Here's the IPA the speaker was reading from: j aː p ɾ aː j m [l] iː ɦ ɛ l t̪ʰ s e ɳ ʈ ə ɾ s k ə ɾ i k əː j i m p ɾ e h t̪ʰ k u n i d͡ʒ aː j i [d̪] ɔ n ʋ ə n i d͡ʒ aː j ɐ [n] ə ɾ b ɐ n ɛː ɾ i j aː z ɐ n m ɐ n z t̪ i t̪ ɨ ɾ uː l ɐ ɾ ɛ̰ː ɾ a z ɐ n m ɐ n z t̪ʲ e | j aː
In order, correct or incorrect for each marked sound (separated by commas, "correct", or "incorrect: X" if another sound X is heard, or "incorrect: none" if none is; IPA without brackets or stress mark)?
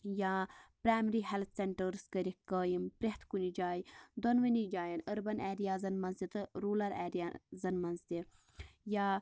incorrect: ɾ, correct, correct